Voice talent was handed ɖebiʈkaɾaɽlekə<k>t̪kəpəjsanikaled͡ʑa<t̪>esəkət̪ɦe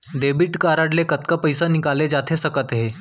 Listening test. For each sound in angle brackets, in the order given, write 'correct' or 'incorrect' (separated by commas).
incorrect, incorrect